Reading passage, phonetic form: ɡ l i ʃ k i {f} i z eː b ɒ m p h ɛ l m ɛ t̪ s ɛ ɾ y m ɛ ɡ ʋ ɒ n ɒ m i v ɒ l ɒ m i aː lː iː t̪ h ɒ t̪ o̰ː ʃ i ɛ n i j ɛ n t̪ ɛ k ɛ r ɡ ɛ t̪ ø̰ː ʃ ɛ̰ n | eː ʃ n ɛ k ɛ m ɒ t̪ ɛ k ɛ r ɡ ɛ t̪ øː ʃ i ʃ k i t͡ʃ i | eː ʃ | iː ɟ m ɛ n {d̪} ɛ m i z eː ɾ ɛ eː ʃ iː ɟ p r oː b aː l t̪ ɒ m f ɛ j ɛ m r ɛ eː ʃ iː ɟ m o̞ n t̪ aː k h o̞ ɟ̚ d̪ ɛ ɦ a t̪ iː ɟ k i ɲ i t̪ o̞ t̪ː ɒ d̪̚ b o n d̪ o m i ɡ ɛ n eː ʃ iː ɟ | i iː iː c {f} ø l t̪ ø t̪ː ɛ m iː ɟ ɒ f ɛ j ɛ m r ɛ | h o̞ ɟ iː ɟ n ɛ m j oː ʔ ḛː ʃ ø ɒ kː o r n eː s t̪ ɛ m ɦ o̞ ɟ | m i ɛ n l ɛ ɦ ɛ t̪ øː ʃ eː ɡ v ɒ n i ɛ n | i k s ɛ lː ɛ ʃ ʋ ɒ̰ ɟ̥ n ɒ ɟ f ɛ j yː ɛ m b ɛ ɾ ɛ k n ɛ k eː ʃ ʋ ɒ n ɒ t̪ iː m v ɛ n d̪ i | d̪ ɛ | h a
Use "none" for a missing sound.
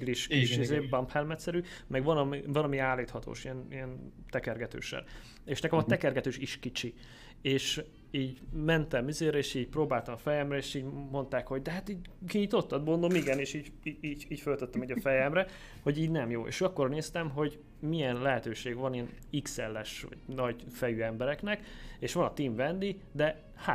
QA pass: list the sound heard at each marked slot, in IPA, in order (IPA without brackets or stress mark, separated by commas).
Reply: ʃ, t̪, f